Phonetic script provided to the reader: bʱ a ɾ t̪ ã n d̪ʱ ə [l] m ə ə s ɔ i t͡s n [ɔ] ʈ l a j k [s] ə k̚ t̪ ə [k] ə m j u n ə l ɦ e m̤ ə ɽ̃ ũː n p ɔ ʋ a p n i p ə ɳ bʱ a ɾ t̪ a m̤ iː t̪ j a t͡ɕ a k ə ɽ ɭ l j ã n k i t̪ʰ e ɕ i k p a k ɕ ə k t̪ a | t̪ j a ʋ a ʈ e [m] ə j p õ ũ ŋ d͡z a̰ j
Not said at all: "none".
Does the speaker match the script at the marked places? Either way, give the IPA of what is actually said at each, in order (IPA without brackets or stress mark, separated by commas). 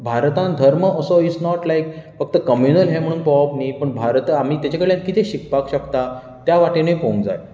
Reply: ɾ, ɔ, f, k, n